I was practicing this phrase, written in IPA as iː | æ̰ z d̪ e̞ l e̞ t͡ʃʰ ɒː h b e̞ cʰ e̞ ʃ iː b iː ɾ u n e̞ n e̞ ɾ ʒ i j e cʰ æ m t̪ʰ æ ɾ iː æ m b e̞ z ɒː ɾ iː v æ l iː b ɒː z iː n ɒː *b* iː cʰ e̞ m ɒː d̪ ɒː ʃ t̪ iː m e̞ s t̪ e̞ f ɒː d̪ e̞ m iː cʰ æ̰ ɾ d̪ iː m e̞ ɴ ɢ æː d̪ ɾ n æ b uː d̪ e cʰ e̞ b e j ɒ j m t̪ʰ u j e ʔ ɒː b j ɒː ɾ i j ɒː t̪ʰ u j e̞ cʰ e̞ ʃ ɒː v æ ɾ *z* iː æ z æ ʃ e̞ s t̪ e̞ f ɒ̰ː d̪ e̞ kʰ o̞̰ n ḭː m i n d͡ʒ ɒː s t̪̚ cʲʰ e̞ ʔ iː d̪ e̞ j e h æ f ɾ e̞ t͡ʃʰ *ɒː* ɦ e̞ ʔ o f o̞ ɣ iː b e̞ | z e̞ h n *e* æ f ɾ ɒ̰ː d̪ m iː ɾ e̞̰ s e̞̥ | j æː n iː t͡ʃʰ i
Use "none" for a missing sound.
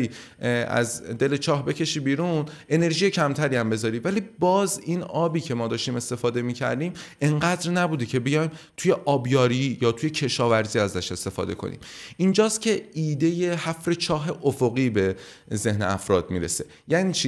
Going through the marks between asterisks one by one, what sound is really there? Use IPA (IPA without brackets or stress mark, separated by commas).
b, z, ɒː, e